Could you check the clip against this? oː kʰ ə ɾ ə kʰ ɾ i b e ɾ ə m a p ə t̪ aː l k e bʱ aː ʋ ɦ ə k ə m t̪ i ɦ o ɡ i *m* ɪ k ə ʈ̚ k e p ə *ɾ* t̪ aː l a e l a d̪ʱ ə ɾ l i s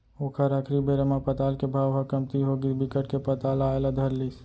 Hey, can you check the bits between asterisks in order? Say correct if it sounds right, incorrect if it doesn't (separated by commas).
incorrect, incorrect